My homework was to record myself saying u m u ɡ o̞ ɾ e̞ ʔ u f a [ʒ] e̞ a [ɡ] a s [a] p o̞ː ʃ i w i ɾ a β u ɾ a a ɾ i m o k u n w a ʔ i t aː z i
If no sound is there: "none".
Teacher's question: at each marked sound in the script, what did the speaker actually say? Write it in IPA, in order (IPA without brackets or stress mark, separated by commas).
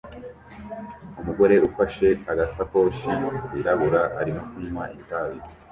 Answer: ʃ, ɡ, a